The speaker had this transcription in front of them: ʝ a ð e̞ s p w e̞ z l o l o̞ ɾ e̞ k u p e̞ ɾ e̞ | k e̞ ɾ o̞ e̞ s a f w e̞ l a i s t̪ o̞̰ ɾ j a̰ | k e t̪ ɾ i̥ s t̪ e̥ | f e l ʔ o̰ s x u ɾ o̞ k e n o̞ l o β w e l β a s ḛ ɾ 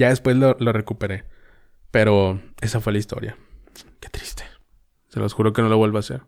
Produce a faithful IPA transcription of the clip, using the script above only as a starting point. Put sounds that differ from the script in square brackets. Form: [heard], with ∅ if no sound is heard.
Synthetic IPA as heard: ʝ a ð e̞ s p w e̞ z l o l o̞ [r] e̞ k u p e̞ ɾ e̞ | [p] e̞ ɾ o̞ e̞ s a f w e̞ l a i s t̪ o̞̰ ɾ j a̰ | k e t̪ ɾ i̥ s t̪ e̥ | [s] e l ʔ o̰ s x u ɾ o̞ k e n o̞ l o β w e l β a s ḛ ɾ